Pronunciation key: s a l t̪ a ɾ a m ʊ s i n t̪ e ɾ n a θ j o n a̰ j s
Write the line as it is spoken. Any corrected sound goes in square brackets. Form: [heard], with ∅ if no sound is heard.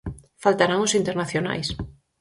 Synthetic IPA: [f] a l t̪ a ɾ a [ŋ] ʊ s i n t̪ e ɾ n a θ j o n a̰ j s